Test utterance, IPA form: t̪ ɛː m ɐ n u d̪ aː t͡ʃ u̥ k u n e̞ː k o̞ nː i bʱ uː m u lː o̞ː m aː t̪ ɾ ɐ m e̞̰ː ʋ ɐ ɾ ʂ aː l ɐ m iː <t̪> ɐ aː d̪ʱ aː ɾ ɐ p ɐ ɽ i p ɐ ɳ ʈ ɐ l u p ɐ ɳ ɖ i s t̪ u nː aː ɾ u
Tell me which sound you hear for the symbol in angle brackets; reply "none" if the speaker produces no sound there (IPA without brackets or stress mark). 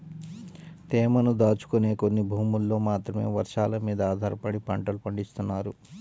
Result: d̪